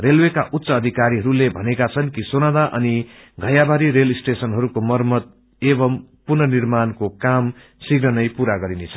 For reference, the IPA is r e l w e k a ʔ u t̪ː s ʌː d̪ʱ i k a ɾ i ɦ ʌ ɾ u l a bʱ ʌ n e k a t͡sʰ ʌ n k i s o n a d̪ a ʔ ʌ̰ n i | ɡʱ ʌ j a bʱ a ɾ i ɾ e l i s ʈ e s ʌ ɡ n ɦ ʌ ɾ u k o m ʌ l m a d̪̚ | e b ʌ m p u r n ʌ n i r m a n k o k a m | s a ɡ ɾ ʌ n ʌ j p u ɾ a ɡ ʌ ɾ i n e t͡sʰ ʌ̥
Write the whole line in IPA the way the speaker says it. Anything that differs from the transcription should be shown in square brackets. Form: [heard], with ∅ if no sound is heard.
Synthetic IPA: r e l w e k a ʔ u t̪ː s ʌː d̪ʱ i k a ɾ i ɦ ʌ ɾ u l [e] bʱ ʌ n e k a t͡sʰ ʌ n k i s o n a d̪ a ʔ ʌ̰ n i | ɡʱ ʌ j a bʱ a ɾ i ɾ e l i s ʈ e s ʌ [∅] n ɦ ʌ ɾ u k o m ʌ [r] m [ʌ] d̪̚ | e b ʌ m p u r n ʌ n i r m a n k o k a m | s [i] ɡ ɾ ʌ n ʌ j p u ɾ a ɡ ʌ ɾ i n e t͡sʰ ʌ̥